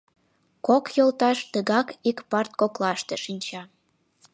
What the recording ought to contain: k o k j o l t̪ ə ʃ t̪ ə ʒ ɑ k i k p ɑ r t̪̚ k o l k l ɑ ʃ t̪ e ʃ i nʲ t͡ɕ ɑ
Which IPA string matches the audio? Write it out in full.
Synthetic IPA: k o k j o l t̪ ɑ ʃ t̪ ə ɣ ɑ k i k p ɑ r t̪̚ k o k l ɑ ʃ t̪ e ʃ i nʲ t͡ɕ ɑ

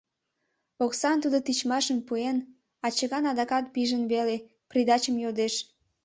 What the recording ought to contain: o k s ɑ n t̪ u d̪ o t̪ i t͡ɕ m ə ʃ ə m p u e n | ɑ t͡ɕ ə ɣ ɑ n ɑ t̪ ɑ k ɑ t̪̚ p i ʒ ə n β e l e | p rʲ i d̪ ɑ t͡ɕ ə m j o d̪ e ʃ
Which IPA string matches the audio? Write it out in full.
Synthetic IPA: o k s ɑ n t̪ u d̪ o t̪ i t͡ɕ m ɑ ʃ ə m p u e n | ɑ t͡ɕ ə ɣ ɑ n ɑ d̪ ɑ k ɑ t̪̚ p i ʒ ə n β e l e | p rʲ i d̪ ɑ t͡ɕ ə m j o d̪ e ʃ

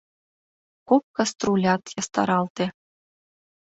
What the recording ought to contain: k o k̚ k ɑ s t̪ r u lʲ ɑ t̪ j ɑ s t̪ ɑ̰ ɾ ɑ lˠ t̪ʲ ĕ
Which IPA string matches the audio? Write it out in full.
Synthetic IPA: k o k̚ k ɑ s t̪ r u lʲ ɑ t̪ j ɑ s t̪ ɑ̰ ɾ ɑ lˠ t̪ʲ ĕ

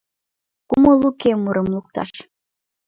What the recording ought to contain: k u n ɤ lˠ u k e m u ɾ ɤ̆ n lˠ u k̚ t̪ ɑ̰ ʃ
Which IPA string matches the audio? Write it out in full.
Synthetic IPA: k u m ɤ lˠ u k e m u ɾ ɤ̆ m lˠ u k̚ t̪ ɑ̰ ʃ

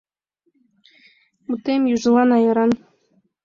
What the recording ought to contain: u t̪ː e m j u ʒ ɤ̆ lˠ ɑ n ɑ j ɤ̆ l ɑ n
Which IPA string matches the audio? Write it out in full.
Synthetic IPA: u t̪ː e m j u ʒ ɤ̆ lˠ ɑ n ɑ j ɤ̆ ɾ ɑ n

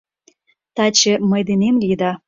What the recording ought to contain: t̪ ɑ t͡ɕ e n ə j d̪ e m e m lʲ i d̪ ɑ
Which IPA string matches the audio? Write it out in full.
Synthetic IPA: t̪ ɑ t͡ɕ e m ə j d̪ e n e m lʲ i d̪ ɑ

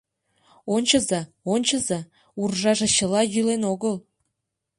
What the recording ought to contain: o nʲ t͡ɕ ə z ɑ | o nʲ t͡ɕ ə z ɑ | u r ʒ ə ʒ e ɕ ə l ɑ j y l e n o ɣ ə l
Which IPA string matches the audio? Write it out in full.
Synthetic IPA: o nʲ t͡ɕ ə z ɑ | o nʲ t͡ɕ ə z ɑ | u r ʒ ɑ ʒ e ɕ ə l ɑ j y l e n o ɣ ə l

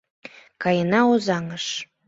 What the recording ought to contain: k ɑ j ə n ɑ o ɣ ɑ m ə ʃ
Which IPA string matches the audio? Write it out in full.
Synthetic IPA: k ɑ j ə n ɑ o z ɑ ŋ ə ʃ

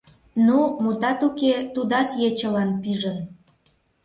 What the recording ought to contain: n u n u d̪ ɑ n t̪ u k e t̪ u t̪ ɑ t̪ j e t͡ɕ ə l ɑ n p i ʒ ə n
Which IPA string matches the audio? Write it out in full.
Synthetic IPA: n u m u t̪ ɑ t̪ u k e t̪ u d̪ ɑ t̪ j e t͡ɕ ə l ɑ n p i ʒ ə n

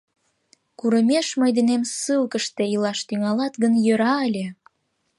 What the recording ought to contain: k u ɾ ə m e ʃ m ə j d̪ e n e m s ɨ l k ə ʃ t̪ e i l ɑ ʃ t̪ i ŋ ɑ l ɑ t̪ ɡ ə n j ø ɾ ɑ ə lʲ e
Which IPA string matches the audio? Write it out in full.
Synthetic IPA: k u ɾ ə m e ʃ m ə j d̪ e n e m s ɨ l k ə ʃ t̪ e i l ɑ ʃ t̪ y ŋ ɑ l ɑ t̪ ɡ ə n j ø ɾ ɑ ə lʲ e

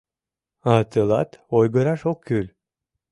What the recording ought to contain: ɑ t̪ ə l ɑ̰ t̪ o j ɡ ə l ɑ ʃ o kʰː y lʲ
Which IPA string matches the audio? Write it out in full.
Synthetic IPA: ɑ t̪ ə l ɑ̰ t̪ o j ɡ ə ɾ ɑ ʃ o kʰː y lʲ

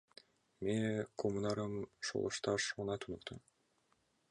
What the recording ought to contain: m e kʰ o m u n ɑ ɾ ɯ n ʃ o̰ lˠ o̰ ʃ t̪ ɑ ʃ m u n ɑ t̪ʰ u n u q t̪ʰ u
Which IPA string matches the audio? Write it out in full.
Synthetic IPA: m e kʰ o m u n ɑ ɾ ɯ m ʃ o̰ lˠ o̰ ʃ t̪ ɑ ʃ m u n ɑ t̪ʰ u n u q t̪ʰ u

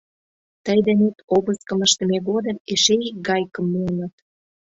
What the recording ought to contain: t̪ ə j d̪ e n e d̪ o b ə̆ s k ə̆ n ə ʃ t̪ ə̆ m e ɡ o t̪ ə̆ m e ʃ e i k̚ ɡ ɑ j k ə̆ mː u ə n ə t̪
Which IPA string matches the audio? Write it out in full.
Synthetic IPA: t̪ ə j d̪ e n e t̪ o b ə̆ s k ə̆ m ə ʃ t̪ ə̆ m e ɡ o d̪ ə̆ m e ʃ e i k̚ ɡ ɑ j k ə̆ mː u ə n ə t̪

